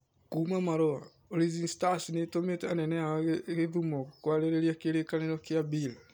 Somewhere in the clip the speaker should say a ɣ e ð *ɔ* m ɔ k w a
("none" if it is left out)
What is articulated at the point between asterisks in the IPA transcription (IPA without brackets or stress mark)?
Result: u